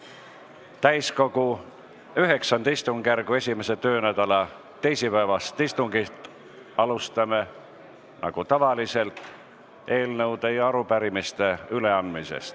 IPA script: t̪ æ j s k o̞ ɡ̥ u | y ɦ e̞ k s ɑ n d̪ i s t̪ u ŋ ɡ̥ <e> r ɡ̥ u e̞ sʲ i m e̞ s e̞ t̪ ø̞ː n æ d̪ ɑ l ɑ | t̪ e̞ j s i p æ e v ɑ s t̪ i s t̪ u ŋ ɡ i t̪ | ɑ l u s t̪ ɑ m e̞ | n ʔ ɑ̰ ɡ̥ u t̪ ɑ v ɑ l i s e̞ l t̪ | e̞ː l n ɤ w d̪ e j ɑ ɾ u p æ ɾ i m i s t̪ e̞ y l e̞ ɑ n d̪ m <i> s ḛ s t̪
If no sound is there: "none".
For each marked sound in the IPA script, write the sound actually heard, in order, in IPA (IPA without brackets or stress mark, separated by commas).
æ, i